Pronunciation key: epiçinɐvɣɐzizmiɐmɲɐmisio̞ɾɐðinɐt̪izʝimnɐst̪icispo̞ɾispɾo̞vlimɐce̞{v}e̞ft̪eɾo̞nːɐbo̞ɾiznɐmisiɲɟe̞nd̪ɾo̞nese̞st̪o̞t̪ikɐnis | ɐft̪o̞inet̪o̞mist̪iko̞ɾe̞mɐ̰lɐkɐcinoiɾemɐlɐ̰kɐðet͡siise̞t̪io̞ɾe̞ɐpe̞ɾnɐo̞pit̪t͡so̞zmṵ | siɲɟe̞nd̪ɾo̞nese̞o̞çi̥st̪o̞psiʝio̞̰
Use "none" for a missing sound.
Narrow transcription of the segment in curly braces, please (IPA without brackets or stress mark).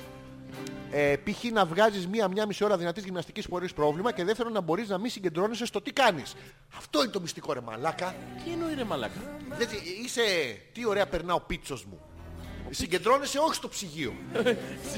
ð